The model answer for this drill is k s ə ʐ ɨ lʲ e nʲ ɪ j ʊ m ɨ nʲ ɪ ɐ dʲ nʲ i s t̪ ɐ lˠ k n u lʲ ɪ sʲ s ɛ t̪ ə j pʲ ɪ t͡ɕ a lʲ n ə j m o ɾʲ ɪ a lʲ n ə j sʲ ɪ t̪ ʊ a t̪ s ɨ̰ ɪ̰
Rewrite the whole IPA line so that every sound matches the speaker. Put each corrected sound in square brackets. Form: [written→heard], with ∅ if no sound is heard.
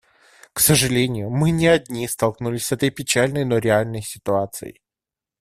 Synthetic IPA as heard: k s ə ʐ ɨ lʲ e nʲ ɪ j ʊ m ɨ nʲ ɪ ɐ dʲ nʲ i s t̪ ɐ lˠ k n u lʲ ɪ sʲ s ɛ t̪ ə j pʲ ɪ t͡ɕ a lʲ n ə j [m→n] o ɾʲ ɪ a lʲ n ə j sʲ ɪ t̪ ʊ a t̪ s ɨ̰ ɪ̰